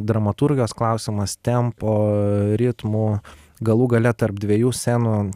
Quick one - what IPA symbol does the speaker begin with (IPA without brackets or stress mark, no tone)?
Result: d̪